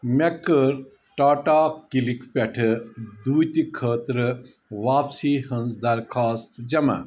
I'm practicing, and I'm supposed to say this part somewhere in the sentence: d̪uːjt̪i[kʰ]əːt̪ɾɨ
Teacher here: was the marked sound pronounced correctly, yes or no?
yes